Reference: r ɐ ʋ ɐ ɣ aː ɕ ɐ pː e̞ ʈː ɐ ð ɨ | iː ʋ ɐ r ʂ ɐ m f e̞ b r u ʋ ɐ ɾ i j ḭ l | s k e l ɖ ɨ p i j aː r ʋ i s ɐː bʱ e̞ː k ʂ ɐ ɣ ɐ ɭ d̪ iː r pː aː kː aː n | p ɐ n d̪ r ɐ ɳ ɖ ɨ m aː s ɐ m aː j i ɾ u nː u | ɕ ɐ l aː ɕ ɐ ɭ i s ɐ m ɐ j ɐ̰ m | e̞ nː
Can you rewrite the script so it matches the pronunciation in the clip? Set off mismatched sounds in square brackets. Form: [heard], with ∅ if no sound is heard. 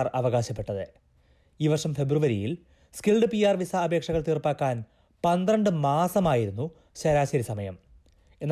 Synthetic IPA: r ɐ ʋ ɐ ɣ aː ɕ ɐ pː e̞ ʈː ɐ ð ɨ | iː ʋ ɐ r ʂ ɐ m f e̞ b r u ʋ ɐ ɾ i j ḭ l | s k [i] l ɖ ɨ p i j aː r ʋ i s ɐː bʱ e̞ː k ʂ ɐ ɣ ɐ ɭ [t̪] iː r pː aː kː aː n | p ɐ n d̪ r ɐ ɳ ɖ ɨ m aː s ɐ m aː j i ɾ u nː u | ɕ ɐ [ɾ] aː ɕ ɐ [ɾ] i s ɐ m ɐ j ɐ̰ m | e̞ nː